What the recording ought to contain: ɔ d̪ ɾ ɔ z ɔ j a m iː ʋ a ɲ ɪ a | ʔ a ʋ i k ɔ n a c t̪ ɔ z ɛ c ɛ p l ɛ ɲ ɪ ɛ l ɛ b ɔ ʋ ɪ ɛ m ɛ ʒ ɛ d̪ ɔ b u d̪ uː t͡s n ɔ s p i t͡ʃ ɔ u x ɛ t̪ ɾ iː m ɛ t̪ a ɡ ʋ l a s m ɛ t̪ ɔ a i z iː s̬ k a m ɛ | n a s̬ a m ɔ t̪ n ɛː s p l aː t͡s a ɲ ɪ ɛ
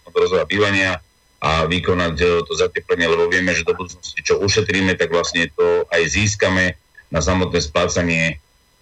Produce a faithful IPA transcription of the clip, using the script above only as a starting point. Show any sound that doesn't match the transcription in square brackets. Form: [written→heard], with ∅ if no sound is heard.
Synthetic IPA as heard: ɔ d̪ ɾ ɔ z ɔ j a [m→b] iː ʋ a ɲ ɪ a | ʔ a ʋ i k ɔ n a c t̪ ɔ z [ɛ→a] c ɛ p l ɛ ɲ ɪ ɛ l ɛ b ɔ ʋ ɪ ɛ m ɛ ʒ ɛ d̪ ɔ b u d̪ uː t͡s n ɔ s [p→c] i t͡ʃ ɔ u [x→ʃ] ɛ t̪ ɾ iː m ɛ t̪ a ɡ ʋ l a s [m→ɲ] ɛ t̪ ɔ a [i→j] z iː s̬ k a m ɛ | n a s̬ a m ɔ t̪ n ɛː s p l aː t͡s a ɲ ɪ ɛ